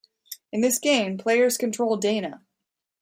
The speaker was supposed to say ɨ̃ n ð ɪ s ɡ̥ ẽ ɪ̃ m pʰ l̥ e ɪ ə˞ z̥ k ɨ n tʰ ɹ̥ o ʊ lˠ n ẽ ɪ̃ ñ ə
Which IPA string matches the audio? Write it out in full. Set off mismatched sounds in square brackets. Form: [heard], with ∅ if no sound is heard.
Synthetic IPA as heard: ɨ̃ n ð ɪ s ɡ̥ ẽ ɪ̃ m pʰ l̥ e ɪ ə˞ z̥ k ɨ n tʰ ɹ̥ o ʊ lˠ [d] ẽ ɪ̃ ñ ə